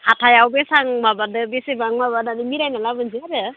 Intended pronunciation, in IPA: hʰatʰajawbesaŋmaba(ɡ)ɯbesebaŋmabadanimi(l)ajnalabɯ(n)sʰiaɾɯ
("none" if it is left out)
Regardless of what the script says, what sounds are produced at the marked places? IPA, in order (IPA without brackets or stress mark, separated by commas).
d, ɾ, n